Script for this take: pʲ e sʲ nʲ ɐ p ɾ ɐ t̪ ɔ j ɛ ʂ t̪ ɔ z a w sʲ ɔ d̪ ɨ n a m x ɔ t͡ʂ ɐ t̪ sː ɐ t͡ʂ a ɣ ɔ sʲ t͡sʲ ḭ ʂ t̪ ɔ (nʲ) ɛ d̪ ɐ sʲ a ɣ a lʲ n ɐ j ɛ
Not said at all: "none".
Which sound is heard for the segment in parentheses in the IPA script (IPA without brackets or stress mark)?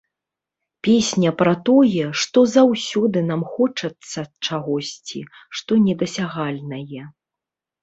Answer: nʲ